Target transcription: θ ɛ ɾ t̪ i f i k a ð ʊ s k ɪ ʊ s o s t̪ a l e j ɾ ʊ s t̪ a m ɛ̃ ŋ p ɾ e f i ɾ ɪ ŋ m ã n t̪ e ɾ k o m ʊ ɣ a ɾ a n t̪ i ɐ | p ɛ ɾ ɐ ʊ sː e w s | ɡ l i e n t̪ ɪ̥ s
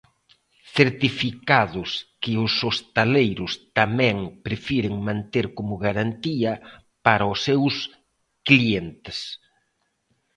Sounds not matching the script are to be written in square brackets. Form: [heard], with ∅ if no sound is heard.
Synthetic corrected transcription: θ [e] ɾ t̪ i f i k a ð ʊ s k ɪ ʊ s o s t̪ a l e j ɾ ʊ s t̪ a m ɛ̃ ŋ p ɾ e f i ɾ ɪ ŋ m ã n t̪ e ɾ k o m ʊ ɣ a ɾ a n t̪ i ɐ | p [a] ɾ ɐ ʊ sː e w s | [k] l i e n t̪ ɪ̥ s